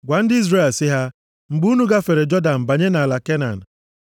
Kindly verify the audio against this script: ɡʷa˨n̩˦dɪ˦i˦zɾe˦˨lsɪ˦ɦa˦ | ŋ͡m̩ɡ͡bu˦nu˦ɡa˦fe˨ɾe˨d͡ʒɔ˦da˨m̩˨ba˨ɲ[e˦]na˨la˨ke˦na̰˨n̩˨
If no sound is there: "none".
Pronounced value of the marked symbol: e˦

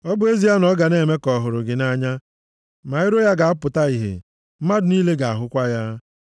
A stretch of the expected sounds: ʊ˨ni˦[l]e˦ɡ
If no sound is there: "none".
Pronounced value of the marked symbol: l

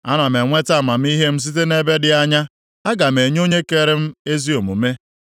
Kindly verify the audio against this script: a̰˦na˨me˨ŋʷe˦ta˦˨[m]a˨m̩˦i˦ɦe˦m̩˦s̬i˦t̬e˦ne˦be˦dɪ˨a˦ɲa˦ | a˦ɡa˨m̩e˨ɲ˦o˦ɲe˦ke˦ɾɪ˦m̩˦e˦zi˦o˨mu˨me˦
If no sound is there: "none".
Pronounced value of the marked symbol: m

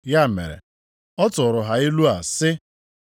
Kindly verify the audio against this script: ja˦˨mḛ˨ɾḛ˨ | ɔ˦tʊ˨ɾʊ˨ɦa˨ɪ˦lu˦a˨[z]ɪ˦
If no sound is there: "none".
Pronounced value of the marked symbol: s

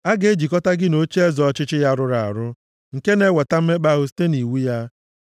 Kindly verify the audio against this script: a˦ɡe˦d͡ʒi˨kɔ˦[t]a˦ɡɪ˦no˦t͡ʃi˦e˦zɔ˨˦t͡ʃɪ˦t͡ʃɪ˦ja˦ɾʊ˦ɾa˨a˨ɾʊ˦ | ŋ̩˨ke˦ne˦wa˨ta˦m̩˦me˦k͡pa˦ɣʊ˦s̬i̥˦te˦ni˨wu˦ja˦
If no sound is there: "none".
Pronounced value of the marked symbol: t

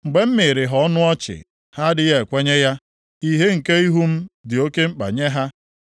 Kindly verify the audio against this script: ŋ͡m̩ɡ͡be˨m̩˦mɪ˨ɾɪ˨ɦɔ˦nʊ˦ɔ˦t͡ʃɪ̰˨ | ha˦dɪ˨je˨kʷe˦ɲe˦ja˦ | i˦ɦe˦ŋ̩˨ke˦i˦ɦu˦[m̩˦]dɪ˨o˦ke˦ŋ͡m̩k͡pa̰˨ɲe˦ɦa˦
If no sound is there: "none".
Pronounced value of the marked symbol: m̩˦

